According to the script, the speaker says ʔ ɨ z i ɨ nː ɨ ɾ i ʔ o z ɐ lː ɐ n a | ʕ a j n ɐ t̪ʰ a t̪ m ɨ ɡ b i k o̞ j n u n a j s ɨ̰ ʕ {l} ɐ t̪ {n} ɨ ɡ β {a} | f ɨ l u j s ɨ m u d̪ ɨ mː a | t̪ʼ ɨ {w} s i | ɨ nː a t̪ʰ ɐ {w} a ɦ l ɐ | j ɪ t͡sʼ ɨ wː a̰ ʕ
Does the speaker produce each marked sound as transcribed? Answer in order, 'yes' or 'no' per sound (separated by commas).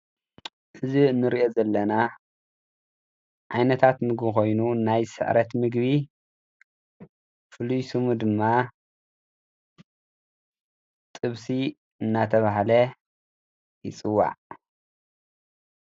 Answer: no, no, no, no, no